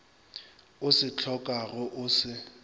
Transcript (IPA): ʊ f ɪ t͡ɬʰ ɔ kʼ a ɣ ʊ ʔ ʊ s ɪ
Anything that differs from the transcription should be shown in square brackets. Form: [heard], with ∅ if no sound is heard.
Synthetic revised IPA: ʊ [s] ɪ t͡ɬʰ ɔ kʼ a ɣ ʊ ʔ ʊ s ɪ